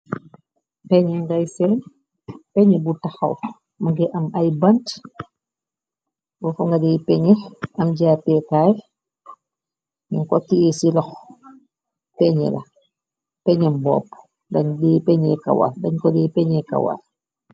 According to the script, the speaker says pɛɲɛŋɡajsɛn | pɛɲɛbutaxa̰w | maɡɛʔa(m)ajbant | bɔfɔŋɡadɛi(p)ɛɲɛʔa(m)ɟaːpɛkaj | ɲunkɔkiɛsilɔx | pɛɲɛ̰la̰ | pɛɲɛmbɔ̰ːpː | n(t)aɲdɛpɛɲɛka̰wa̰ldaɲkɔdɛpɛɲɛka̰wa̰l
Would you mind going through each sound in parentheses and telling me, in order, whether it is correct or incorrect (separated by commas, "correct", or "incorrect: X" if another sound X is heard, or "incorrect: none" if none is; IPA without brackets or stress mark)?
correct, correct, correct, incorrect: d